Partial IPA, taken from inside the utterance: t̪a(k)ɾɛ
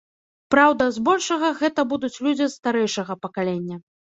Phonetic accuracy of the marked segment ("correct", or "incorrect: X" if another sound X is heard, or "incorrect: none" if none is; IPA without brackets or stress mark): incorrect: none